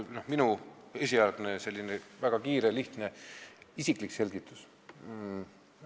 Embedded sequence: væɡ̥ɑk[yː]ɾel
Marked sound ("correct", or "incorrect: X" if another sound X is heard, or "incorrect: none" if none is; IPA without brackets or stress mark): incorrect: iː